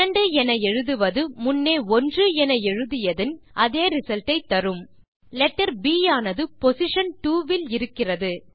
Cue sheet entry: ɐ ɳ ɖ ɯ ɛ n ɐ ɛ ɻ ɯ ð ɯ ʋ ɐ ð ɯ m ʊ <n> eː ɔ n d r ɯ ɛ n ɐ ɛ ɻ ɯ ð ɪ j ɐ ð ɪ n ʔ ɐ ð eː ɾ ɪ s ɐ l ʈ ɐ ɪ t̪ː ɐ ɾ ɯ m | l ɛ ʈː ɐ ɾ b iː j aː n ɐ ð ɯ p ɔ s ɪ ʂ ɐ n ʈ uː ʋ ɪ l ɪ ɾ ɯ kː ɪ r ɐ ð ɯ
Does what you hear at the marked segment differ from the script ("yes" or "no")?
yes